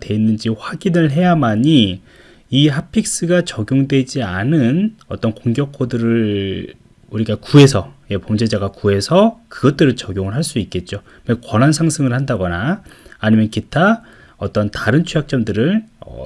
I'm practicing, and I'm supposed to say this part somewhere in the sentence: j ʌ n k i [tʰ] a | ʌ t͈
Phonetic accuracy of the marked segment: correct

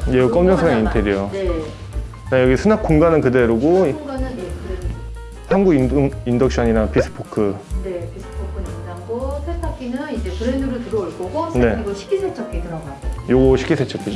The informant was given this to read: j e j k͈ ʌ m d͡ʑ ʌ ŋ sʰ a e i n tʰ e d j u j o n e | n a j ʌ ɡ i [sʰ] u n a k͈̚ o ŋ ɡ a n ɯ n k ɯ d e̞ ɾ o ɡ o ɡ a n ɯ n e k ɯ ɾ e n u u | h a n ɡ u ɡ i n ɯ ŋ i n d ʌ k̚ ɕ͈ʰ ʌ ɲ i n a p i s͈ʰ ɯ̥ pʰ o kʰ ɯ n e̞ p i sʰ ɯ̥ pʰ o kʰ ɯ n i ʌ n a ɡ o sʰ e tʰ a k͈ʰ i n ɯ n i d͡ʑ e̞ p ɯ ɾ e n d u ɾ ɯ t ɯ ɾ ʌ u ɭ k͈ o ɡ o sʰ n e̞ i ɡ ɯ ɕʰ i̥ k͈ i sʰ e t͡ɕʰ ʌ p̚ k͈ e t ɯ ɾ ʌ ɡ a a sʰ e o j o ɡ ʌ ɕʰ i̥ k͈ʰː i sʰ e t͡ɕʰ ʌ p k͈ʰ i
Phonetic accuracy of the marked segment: correct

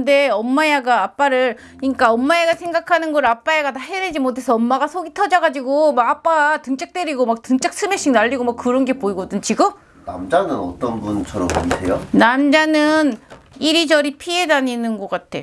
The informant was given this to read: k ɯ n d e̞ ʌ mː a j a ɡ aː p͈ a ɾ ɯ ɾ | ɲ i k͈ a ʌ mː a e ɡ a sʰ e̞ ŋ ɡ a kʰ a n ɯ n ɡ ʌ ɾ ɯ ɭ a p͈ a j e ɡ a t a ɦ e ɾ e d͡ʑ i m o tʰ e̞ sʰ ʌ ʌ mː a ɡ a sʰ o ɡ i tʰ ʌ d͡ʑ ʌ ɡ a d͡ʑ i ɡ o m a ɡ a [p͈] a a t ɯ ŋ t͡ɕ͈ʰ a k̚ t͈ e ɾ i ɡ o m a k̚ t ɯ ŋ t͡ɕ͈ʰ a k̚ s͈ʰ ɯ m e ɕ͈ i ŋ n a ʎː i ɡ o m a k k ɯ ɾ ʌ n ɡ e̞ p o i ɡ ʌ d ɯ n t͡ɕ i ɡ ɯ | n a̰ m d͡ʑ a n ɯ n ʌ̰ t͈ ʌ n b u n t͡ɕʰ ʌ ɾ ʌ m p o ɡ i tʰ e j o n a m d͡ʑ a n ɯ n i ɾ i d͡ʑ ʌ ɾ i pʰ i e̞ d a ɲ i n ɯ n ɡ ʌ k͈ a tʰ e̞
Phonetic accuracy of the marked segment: correct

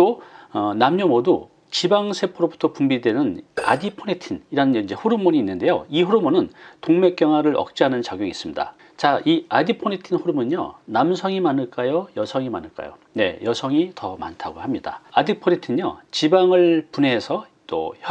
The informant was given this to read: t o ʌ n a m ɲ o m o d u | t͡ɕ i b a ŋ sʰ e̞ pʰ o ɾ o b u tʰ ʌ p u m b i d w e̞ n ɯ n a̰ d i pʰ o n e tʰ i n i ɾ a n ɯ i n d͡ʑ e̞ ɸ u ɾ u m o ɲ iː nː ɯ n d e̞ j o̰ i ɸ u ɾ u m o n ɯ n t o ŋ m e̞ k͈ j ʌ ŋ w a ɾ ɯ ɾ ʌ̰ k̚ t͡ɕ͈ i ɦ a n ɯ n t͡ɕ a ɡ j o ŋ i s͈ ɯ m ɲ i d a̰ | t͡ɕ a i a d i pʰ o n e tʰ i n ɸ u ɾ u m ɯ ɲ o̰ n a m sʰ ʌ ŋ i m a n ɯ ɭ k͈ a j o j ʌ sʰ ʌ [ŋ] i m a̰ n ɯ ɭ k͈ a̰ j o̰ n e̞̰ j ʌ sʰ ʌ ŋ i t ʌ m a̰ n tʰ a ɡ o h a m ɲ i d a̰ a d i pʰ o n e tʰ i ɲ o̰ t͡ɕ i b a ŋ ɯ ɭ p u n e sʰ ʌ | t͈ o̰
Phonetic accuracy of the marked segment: correct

